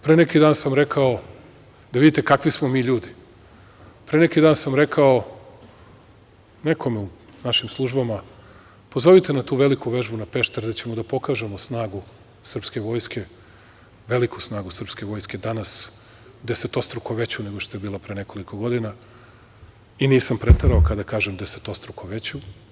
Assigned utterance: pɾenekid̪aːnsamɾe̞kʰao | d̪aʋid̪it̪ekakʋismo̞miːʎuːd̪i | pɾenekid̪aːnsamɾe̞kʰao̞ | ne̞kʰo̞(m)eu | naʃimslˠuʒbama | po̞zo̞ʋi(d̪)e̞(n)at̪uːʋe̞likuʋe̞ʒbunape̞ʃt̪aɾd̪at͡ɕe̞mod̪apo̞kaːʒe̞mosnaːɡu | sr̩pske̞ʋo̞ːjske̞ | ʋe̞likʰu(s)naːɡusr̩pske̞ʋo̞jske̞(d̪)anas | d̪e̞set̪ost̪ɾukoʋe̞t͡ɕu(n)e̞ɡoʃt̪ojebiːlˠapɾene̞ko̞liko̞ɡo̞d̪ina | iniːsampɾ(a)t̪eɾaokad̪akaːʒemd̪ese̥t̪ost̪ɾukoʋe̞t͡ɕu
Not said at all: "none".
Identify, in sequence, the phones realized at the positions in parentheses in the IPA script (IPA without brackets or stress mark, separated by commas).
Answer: m, t̪, n, s, d̪, n, e